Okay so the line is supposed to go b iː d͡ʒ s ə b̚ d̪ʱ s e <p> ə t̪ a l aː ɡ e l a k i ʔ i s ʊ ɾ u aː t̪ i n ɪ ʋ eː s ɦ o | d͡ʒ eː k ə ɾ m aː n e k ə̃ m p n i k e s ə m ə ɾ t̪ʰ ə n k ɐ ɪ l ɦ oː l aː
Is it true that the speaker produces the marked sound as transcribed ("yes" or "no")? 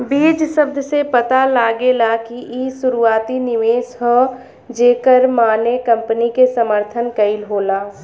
yes